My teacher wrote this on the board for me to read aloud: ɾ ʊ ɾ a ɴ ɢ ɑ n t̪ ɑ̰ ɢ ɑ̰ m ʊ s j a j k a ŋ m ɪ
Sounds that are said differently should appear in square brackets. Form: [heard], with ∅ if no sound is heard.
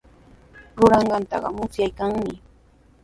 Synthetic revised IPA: ɾ ʊ ɾ [ɑ] ɴ ɢ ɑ n t̪ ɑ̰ ɢ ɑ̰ m ʊ s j a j k a ŋ m ɪ